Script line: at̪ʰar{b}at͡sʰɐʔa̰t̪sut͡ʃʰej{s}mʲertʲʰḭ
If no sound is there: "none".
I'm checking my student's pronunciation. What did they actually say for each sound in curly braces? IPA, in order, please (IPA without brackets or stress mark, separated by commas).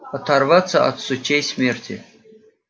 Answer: v, s